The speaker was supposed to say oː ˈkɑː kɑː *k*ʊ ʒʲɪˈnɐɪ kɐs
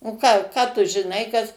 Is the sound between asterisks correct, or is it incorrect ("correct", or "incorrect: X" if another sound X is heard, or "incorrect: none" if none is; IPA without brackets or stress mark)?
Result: incorrect: t